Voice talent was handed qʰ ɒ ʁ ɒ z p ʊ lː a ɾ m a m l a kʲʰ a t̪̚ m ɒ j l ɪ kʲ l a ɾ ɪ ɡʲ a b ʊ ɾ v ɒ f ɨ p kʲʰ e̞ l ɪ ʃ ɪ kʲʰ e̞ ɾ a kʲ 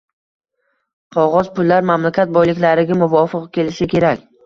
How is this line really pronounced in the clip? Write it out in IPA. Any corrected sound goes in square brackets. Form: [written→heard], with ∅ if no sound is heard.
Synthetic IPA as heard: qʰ ɒ ʁ ɒ z p ʊ lː a ɾ m a m l a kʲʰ a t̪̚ [m→b] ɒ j l ɪ kʲ l a ɾ ɪ ɡʲ a [b→m] ʊ [ɾ→∅] v ɒ f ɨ [p→q] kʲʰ e̞ l ɪ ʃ ɪ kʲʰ e̞ ɾ a kʲ